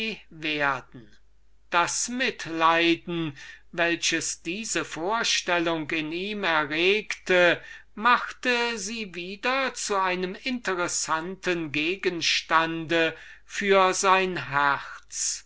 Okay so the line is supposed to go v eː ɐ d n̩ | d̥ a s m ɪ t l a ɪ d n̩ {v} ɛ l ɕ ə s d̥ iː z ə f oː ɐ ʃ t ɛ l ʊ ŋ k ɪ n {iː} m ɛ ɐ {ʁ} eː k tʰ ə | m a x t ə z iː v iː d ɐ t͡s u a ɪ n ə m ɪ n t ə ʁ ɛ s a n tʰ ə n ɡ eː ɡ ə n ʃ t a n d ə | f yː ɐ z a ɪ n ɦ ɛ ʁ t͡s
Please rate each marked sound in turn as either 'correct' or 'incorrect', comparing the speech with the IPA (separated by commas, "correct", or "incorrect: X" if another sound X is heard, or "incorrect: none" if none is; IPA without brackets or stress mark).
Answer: correct, correct, correct